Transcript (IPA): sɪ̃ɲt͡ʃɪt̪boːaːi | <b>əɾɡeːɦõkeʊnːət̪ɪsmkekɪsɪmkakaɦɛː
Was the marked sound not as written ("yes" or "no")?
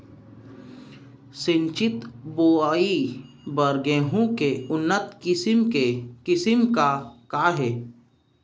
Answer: no